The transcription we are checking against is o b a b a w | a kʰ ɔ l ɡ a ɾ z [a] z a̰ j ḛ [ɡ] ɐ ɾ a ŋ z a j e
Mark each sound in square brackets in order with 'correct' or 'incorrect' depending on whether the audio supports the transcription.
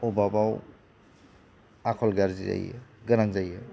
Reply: incorrect: i, correct

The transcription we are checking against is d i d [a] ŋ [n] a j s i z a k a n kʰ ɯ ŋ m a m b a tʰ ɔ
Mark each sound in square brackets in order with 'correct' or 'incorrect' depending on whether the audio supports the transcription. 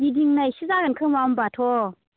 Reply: incorrect: i, correct

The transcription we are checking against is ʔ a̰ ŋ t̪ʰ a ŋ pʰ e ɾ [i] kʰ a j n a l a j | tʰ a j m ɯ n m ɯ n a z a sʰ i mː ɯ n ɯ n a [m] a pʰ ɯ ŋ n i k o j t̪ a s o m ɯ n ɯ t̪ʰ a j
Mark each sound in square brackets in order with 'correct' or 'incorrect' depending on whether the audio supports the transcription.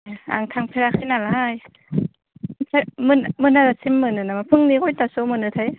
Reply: incorrect: a, correct

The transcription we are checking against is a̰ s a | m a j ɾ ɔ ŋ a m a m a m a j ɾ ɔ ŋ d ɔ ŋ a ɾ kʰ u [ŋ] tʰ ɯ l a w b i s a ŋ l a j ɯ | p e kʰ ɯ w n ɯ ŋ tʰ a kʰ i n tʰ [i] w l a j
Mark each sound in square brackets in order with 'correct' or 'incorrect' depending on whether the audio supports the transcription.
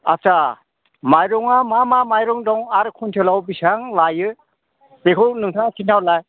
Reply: incorrect: n, incorrect: a

